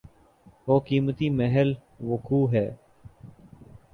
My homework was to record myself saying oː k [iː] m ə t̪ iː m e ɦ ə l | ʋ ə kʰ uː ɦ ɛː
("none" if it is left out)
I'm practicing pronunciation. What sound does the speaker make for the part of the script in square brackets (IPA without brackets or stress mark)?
iː